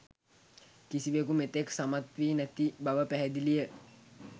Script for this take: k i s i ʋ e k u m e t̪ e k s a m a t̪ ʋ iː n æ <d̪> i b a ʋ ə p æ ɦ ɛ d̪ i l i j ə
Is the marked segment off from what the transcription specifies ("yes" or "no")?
yes